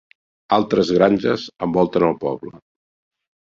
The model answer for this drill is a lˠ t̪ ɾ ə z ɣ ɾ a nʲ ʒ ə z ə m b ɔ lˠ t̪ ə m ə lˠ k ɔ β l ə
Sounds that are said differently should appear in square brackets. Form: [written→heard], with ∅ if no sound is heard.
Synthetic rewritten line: a lˠ t̪ ɾ ə z ɣ ɾ a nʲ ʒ ə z ə m b ɔ lˠ t̪ ə [m→n] ə lˠ [k→p] ɔ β l ə